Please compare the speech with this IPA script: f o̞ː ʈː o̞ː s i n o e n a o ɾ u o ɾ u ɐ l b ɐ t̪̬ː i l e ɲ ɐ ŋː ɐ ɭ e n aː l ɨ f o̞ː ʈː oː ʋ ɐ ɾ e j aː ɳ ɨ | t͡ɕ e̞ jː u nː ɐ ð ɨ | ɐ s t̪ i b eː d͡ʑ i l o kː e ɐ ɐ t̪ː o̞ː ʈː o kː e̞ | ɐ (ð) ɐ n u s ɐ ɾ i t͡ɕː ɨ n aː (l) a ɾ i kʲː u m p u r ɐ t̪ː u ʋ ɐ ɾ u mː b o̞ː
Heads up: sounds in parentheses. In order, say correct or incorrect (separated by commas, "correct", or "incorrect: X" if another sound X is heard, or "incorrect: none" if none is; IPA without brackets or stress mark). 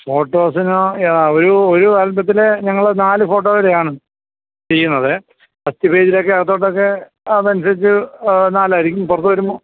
correct, correct